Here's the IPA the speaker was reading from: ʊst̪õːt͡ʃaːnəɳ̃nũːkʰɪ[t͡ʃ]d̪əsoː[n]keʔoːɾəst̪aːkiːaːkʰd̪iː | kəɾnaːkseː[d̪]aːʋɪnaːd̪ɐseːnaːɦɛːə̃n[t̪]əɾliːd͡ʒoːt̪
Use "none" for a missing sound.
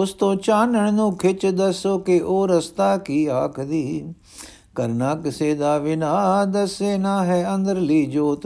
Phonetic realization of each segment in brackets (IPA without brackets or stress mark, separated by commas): t͡ʃ, none, d̪, d̪